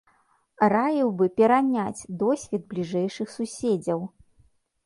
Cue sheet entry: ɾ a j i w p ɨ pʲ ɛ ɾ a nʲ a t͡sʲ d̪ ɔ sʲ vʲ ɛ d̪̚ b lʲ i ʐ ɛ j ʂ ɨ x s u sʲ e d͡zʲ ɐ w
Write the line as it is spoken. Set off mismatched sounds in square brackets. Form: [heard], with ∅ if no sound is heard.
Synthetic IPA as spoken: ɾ a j i w [b] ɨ pʲ ɛ ɾ a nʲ a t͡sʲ d̪ ɔ sʲ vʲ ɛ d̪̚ b lʲ i ʐ ɛ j ʂ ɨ x s u sʲ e d͡zʲ ɐ w